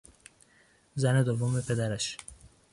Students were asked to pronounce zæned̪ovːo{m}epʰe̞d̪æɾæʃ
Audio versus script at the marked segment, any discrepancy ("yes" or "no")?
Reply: no